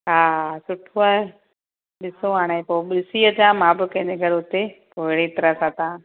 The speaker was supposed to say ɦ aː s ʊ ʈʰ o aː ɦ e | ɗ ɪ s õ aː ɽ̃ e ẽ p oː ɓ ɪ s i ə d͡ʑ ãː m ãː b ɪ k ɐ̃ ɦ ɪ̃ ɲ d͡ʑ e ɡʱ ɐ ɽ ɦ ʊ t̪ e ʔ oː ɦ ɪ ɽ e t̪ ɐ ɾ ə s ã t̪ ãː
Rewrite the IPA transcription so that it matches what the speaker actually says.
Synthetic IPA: ɦ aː s ʊ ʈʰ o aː ɦ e | ɗ ɪ s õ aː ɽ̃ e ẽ p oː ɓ ɪ s i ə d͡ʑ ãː m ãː b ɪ k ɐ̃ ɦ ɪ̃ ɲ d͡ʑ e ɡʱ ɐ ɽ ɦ ʊ t̪ e p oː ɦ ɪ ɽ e t̪ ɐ ɾ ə s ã t̪ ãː